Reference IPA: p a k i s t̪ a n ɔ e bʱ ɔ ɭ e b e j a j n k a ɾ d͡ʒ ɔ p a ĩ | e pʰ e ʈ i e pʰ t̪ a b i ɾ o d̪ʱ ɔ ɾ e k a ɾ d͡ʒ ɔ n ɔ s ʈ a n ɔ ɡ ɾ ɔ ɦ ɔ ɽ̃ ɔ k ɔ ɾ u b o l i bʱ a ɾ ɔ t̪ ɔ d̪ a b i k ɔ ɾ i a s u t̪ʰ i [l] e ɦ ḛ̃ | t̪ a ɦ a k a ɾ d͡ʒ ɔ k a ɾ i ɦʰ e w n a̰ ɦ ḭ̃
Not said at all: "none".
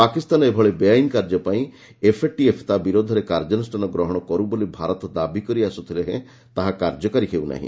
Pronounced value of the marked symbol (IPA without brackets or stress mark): l